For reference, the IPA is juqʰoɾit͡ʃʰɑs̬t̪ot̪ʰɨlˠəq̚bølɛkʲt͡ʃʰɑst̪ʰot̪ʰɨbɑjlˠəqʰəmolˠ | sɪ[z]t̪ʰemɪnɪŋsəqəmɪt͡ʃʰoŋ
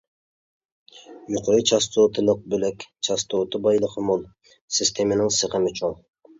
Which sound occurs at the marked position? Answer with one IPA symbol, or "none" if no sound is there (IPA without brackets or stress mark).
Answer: s